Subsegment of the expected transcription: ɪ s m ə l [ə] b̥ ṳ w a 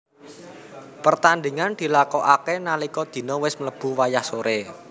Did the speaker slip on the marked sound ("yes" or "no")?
no